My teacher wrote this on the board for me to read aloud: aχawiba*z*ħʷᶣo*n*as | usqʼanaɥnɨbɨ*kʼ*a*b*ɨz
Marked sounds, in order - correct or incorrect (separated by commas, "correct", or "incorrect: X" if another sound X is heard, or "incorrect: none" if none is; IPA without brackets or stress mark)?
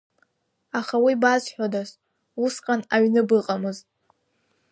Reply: correct, incorrect: d, incorrect: qʼ, incorrect: m